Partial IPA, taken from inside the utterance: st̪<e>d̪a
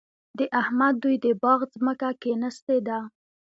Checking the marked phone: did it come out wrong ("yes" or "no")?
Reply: no